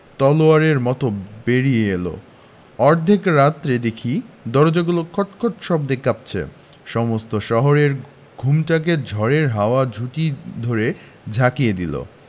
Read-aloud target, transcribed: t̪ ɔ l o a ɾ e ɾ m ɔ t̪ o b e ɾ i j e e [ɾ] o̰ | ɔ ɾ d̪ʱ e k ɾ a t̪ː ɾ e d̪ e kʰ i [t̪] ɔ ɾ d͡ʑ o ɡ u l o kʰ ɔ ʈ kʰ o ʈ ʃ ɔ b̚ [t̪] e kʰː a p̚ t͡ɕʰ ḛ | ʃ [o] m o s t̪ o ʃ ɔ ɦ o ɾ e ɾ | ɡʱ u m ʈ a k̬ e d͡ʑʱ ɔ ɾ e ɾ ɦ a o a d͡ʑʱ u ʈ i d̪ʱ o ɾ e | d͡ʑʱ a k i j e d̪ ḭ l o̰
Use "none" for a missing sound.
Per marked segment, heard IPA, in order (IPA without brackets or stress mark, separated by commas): l, d̪, d̪, ɔ